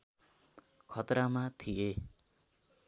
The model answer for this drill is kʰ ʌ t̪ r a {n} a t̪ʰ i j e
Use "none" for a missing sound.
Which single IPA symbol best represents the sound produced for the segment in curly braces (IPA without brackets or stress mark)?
m